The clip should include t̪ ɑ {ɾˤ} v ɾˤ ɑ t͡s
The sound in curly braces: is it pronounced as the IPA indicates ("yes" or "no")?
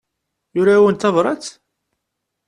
no